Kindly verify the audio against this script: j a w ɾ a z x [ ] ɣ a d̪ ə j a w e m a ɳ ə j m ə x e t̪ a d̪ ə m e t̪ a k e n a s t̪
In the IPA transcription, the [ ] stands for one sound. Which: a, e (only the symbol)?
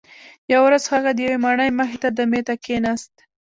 a